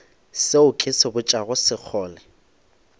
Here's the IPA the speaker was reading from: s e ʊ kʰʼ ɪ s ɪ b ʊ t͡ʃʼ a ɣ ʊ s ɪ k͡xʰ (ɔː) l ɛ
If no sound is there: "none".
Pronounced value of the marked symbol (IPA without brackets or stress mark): ɔː